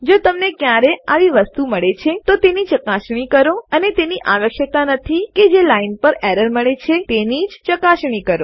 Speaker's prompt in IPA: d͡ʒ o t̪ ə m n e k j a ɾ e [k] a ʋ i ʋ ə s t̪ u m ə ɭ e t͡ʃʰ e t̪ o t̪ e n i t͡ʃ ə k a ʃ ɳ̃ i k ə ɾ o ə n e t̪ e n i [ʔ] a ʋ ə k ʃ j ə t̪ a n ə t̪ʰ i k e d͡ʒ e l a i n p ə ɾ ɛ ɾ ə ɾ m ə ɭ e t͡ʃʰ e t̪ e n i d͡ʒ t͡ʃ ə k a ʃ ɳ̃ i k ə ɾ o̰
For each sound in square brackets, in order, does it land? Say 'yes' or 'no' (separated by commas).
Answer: no, yes